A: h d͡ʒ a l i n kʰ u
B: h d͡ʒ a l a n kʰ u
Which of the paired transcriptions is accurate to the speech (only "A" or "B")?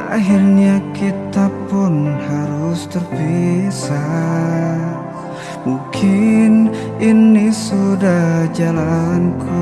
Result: B